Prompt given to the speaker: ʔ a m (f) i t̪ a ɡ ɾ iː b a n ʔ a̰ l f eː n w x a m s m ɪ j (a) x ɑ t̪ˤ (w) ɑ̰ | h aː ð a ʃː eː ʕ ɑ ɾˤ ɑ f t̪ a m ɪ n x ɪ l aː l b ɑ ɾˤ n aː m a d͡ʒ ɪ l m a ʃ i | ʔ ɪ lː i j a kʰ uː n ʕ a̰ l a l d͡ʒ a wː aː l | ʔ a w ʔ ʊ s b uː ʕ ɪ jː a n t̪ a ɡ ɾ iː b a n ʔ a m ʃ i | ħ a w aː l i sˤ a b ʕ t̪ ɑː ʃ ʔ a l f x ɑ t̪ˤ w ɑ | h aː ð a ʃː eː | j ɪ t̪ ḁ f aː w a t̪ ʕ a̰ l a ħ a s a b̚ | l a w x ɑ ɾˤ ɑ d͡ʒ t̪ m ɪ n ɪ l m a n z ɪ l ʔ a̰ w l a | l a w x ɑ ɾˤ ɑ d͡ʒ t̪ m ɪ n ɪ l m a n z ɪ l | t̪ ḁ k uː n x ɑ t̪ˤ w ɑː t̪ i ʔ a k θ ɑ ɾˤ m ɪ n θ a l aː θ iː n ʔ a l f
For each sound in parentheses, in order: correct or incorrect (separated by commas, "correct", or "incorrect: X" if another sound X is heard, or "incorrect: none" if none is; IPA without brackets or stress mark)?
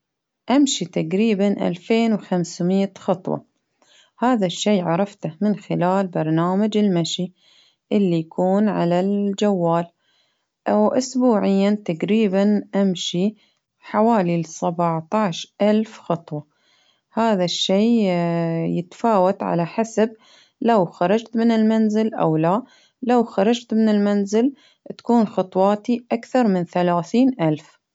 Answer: incorrect: ʃ, correct, correct